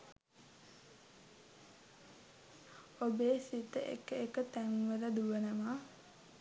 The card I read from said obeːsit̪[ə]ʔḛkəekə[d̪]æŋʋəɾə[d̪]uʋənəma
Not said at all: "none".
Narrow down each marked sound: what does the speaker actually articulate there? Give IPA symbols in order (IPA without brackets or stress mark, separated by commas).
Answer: ə, t̪, d̪